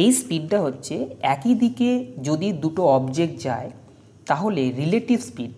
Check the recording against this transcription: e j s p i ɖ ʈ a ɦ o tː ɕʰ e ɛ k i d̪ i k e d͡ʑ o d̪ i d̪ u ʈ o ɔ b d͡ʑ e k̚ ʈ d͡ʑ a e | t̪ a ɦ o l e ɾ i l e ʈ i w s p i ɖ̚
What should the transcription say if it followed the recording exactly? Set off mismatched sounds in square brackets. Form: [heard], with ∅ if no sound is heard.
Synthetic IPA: e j s p i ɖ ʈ a ɦ o tː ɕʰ e ɛ k i d̪ i k e d͡ʑ o d̪ i d̪ u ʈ o ɔ b d͡ʑ e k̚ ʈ d͡ʑ a e | t̪ a ɦ o l e ɾ i l e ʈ i [b] s p i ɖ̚